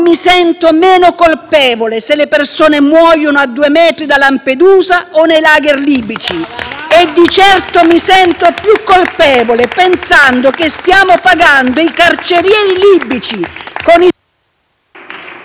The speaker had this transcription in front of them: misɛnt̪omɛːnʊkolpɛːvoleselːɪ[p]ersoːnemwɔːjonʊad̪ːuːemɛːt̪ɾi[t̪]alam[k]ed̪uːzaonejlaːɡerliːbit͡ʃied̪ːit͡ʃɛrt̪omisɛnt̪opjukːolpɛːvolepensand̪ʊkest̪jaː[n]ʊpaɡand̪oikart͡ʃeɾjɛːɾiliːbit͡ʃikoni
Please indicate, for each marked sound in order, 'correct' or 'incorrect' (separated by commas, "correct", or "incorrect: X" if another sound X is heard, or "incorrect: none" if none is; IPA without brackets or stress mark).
correct, incorrect: d̪, incorrect: p, incorrect: m